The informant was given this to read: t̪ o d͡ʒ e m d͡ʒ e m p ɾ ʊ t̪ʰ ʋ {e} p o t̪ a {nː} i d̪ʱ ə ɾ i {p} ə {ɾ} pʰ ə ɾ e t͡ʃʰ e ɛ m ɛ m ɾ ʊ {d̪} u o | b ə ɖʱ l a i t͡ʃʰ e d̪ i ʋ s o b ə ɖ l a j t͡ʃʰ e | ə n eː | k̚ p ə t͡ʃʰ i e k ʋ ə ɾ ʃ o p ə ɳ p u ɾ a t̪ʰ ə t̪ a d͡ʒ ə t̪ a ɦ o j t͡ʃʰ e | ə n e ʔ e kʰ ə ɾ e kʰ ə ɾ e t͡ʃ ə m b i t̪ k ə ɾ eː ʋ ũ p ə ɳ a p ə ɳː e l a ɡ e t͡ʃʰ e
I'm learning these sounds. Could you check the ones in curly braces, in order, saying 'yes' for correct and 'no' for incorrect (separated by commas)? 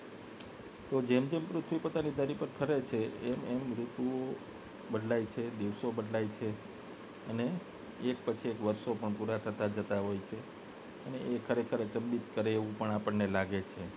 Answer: no, no, yes, yes, no